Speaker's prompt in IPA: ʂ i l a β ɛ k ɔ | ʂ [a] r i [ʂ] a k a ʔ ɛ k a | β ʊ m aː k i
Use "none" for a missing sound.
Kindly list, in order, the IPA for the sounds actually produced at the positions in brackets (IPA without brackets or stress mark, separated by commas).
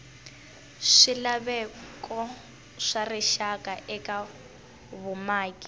a, ʃ